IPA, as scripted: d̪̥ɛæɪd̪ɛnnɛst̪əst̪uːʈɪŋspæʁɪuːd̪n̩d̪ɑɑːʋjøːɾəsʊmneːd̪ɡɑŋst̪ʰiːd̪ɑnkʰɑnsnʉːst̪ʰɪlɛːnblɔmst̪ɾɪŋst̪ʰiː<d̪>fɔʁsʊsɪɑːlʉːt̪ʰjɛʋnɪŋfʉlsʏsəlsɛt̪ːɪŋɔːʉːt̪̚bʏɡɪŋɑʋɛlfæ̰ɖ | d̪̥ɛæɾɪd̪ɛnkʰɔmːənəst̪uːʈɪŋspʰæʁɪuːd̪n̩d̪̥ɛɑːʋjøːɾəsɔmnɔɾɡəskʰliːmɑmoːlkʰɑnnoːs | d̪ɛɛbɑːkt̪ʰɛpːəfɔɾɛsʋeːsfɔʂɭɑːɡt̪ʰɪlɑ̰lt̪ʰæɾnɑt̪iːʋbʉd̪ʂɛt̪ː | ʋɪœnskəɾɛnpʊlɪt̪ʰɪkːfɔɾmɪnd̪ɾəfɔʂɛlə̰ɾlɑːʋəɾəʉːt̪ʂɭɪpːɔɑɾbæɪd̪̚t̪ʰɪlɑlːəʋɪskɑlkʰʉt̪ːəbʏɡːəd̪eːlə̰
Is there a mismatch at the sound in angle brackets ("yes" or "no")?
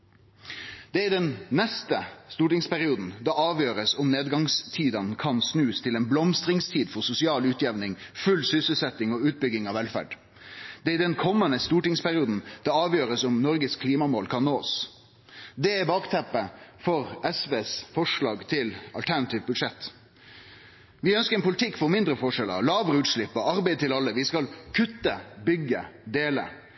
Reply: no